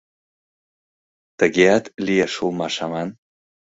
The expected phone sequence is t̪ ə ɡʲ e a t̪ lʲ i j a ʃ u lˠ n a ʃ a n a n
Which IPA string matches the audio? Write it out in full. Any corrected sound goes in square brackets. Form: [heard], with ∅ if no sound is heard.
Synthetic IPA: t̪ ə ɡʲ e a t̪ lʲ i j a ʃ u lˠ [m] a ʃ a [m] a n